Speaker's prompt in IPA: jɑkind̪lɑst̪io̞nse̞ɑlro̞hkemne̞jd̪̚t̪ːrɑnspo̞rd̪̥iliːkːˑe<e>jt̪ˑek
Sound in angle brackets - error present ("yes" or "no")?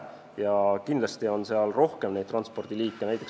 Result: yes